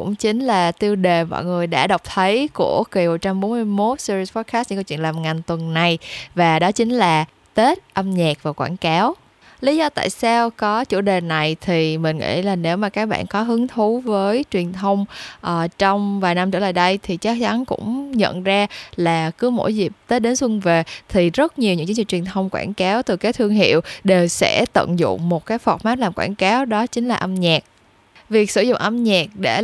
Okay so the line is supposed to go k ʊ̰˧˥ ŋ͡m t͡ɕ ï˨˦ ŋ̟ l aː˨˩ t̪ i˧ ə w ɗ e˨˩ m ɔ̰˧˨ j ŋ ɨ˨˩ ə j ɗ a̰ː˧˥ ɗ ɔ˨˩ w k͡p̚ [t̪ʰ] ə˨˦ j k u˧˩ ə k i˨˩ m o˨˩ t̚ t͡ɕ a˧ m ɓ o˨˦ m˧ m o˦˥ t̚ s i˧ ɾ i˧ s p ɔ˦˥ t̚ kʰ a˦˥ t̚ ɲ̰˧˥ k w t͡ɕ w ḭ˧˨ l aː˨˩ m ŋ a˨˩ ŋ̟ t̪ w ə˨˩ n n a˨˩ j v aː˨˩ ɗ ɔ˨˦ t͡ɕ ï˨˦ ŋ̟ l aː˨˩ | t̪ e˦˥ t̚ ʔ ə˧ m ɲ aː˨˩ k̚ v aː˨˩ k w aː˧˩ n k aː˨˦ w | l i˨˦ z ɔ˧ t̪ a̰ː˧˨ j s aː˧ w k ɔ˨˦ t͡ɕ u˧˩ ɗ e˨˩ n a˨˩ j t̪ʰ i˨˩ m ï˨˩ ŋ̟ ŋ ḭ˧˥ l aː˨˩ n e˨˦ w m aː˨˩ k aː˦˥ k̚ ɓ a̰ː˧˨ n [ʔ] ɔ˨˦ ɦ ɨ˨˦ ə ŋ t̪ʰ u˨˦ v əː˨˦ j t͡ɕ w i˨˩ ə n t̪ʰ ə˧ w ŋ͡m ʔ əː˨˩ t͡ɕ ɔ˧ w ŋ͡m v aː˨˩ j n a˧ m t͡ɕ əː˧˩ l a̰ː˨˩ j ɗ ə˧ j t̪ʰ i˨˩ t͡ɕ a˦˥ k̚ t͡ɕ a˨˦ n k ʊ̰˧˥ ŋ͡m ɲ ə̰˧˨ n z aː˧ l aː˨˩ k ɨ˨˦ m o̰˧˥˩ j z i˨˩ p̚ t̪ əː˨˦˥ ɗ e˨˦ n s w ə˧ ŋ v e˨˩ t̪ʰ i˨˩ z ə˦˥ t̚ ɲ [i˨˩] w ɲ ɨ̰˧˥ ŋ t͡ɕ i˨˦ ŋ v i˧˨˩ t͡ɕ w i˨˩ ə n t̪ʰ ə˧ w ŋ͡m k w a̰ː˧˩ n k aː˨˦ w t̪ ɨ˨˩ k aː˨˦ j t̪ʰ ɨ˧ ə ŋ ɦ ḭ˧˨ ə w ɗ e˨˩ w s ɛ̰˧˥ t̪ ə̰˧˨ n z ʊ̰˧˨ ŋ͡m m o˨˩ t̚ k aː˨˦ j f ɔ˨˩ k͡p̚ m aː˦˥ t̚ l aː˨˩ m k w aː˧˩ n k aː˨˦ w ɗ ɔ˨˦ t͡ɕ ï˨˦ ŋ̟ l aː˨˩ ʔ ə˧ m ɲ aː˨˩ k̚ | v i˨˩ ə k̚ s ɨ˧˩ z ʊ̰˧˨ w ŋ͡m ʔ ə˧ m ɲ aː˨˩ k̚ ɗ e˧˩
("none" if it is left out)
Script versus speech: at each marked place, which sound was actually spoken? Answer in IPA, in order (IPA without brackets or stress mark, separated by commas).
t̪ʰ, k, i˨˩